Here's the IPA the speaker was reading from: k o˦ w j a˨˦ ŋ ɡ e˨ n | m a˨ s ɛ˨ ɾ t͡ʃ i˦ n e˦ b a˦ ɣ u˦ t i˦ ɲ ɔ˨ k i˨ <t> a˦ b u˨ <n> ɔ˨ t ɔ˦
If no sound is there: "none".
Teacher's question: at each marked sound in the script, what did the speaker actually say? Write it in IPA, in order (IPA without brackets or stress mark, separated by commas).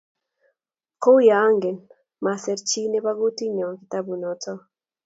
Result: t, n